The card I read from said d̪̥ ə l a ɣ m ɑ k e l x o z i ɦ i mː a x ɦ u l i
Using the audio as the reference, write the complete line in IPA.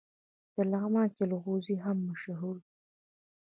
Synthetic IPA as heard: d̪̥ ə l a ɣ m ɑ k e l ɣ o z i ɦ a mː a ʃ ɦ u ɾ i